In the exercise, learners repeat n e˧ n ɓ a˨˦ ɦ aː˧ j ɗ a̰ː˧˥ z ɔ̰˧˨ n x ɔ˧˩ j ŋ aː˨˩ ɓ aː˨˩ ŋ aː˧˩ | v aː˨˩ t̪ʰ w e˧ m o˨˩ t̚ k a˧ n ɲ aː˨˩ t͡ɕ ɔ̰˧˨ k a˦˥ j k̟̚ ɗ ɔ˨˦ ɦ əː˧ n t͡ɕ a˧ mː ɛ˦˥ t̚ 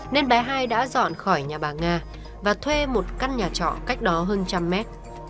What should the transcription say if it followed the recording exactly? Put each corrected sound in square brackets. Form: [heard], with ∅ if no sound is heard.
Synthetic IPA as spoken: n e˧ n ɓ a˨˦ ɦ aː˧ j ɗ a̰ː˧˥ z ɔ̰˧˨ n x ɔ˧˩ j [ɲ] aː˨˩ ɓ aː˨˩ ŋ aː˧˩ | v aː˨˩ t̪ʰ w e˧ m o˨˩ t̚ k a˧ n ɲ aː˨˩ t͡ɕ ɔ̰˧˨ k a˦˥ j k̟̚ ɗ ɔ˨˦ ɦ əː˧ n t͡ɕ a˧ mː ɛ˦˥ t̚